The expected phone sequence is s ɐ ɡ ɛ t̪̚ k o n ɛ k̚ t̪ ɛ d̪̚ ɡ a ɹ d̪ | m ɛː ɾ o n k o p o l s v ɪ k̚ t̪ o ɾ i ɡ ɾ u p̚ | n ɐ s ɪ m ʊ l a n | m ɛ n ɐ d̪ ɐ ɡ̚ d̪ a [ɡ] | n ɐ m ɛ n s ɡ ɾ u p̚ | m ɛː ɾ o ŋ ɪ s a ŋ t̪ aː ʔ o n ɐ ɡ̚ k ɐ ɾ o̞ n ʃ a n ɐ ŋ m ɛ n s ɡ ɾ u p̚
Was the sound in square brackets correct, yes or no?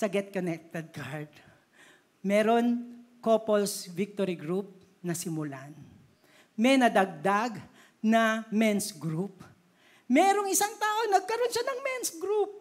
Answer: yes